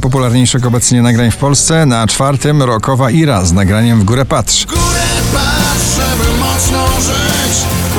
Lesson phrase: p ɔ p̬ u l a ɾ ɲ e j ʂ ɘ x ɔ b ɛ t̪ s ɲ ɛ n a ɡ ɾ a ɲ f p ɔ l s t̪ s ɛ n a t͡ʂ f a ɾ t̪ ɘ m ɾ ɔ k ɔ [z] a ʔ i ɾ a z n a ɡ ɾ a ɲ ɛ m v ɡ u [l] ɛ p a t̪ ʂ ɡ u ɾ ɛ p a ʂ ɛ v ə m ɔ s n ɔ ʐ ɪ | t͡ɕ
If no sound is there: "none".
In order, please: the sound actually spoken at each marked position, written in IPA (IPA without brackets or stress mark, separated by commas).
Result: v, ɾ